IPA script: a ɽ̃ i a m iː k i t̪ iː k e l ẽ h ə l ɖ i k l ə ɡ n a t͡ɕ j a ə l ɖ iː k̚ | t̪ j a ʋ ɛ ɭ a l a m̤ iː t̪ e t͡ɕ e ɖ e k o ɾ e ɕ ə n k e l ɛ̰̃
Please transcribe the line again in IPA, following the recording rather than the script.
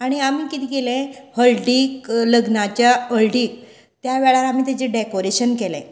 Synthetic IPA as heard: a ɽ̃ i a m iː k i t̪ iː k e l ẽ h ə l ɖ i k l ə ɡ n a t͡ɕ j a ə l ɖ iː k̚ | t̪ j a ʋ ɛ ɭ a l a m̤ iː t̪ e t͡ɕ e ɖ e k o ɾ e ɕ ə n k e l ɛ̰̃